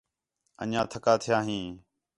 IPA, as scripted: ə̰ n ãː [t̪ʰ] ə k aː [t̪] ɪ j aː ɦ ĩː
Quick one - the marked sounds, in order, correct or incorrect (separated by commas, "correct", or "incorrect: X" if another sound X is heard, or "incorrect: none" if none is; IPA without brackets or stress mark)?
correct, incorrect: t̪ʰ